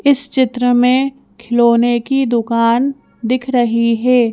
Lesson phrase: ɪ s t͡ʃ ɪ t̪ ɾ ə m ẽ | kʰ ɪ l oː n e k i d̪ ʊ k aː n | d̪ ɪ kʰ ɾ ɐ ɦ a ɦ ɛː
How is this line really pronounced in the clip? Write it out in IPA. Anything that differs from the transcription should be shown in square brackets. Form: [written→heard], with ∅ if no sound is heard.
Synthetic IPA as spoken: ɪ s t͡ʃ ɪ t̪ ɾ ə m ẽ | kʰ ɪ l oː n e k i d̪ ʊ k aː n | d̪ ɪ kʰ ɾ ɐ ɦ [a→i] ɦ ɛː